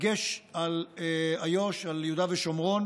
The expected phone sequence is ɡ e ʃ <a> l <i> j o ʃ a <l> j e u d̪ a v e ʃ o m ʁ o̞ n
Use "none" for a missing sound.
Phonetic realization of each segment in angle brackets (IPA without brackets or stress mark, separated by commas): a, a, l